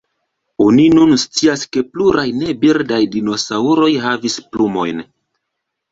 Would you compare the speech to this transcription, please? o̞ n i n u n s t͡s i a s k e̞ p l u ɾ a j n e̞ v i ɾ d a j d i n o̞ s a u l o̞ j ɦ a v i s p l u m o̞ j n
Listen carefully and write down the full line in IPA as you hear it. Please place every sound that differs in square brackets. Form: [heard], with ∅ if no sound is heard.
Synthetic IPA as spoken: o̞ n i n u n s t͡s i a s k e̞ p l u ɾ a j n e̞ [b] i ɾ d a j d i n o̞ s a u [ɾ] o̞ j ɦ a v i s p l u m o̞ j n